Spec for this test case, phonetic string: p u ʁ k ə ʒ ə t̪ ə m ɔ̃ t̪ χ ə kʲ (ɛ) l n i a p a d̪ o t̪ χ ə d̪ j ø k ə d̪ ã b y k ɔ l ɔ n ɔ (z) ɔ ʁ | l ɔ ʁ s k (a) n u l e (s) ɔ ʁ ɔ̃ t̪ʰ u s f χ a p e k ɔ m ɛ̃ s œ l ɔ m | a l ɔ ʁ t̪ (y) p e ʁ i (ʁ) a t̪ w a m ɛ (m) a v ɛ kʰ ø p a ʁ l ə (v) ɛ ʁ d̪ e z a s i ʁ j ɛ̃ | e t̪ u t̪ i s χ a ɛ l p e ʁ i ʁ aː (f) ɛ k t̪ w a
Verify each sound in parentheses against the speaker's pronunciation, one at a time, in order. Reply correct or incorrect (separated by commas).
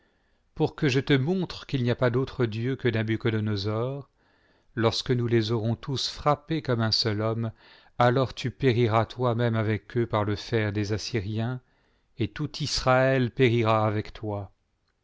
incorrect, correct, incorrect, incorrect, correct, correct, correct, incorrect, incorrect